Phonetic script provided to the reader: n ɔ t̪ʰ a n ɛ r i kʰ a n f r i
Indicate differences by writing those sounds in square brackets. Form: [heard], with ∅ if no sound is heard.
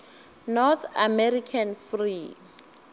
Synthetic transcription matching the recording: n ɔ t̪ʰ a [m] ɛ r i kʰ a n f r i

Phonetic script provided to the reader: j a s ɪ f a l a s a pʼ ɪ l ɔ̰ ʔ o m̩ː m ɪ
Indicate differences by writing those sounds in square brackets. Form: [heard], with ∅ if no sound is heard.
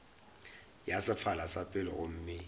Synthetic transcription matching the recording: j a s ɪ f a l a s a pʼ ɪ l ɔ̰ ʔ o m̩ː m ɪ

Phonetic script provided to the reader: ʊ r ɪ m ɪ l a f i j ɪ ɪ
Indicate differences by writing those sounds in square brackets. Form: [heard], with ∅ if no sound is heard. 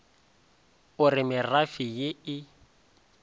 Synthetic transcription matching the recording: ʊ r ɪ m ɪ [r] a f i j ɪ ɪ

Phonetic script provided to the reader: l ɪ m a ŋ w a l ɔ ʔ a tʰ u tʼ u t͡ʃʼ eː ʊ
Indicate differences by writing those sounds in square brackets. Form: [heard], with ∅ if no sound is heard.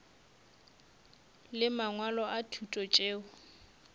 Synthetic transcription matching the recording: l ɪ m a ŋ w a l ɔ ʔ a tʰ u tʼ [ɔ] t͡ʃʼ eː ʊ

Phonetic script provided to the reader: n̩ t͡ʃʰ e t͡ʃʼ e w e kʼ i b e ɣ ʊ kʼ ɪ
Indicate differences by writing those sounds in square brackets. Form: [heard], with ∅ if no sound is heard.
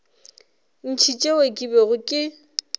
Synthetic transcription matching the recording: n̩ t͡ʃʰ [i] t͡ʃʼ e w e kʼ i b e ɣ ʊ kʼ ɪ

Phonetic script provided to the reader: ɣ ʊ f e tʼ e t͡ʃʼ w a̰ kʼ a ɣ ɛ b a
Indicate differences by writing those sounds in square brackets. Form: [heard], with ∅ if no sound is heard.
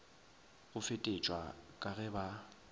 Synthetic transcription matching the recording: ɣ ʊ f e tʼ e t͡ʃʼ w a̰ kʼ a ɣ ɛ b a

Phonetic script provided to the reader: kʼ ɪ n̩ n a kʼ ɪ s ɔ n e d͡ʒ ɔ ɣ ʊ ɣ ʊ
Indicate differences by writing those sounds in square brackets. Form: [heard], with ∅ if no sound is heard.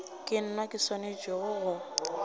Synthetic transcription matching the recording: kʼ ɪ n̩ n a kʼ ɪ s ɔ n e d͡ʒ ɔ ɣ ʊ ɣ ʊ

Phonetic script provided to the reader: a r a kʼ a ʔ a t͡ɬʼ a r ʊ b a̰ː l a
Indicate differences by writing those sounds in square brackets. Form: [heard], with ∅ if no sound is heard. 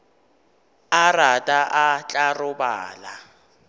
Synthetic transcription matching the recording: a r a [tʼ] a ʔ a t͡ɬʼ a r ʊ b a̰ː l a

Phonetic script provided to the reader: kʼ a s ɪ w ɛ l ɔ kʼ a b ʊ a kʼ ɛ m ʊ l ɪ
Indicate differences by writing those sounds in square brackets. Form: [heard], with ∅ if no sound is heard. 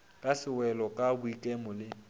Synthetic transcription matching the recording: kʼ a s ɪ w ɛ l ɔ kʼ a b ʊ [i] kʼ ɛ m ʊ l ɪ

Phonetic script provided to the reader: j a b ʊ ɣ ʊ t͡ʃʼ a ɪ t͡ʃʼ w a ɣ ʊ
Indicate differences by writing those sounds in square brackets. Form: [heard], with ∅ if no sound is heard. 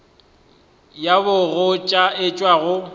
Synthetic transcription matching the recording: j a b ʊ ɣ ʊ t͡ʃʼ a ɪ t͡ʃʼ w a ɣ ʊ

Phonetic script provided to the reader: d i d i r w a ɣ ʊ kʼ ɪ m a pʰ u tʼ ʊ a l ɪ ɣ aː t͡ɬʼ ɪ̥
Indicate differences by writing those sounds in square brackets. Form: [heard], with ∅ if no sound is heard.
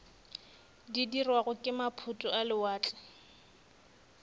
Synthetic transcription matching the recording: d i d i r w a ɣ ʊ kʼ ɪ m a pʰ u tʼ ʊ a l ɪ [w] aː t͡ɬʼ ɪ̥

